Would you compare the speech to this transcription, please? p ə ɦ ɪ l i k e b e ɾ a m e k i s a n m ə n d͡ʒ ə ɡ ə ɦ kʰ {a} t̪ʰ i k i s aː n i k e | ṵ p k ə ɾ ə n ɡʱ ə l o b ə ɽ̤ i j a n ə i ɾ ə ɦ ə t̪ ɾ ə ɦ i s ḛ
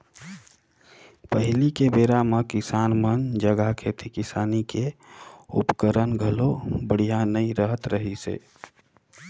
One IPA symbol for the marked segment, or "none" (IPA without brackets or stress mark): e